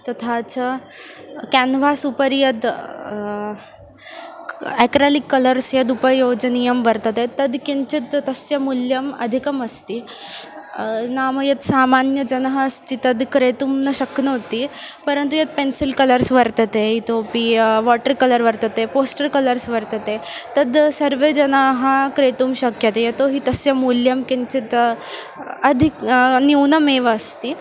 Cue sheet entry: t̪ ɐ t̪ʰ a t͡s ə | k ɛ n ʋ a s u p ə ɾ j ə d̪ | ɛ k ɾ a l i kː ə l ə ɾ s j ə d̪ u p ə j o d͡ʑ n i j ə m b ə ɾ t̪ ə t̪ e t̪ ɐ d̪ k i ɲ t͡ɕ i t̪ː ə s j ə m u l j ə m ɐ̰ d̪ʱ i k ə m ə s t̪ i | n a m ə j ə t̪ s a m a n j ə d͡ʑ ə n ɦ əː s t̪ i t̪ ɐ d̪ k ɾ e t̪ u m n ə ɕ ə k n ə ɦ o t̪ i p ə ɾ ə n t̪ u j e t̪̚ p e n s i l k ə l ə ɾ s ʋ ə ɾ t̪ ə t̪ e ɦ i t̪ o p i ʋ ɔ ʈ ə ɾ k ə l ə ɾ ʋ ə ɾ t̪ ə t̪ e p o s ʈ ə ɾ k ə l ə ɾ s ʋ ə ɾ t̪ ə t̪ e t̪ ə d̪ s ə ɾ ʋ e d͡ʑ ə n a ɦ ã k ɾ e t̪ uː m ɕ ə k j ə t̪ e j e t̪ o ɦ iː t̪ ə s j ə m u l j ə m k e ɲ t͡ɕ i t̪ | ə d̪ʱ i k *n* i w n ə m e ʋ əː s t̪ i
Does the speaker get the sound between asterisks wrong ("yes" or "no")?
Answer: no